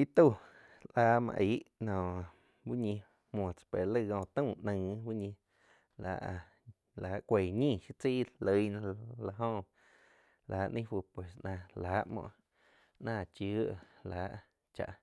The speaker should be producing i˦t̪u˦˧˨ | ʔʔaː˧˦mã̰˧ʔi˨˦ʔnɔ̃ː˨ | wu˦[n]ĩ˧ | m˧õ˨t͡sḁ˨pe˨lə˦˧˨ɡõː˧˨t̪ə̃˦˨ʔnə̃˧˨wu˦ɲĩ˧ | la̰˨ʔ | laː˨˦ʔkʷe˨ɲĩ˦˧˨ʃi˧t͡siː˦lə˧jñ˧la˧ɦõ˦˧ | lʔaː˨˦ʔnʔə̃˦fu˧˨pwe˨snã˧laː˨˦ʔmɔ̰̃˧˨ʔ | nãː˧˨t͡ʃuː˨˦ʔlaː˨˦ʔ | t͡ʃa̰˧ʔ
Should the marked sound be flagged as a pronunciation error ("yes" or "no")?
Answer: yes